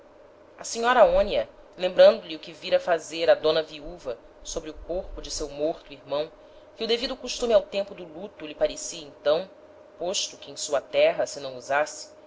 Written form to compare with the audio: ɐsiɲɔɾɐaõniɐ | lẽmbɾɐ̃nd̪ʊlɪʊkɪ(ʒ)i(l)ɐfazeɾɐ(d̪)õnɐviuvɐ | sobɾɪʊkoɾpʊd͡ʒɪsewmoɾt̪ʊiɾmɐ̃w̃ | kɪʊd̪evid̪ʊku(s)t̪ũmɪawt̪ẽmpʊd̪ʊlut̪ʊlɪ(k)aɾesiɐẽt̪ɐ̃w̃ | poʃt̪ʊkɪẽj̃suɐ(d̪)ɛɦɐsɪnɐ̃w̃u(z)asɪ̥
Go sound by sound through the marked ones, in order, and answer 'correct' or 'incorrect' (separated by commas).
incorrect, incorrect, correct, incorrect, incorrect, incorrect, correct